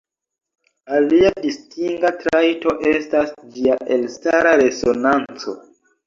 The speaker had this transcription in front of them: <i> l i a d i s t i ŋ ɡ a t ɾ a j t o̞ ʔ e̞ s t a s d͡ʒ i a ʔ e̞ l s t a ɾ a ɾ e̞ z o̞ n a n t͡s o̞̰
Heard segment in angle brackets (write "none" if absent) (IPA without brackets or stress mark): a